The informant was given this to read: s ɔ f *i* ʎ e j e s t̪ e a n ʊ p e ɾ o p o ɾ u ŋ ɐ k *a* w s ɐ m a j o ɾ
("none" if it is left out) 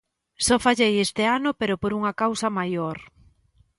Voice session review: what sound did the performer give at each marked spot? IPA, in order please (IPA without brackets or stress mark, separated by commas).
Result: a, a